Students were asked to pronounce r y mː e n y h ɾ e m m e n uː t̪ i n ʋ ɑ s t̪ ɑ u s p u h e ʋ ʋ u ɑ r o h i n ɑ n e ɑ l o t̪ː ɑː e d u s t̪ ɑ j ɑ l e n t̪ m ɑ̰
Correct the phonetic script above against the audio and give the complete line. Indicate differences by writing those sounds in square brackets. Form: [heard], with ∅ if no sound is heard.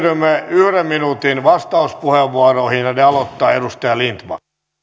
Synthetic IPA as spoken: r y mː e [∅] y h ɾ e m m [i] n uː t̪ i n ʋ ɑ s t̪ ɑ u s p u h e ʋ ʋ u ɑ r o h i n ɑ n e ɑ l o t̪ː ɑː e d u s t̪ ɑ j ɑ l [i] n t̪ m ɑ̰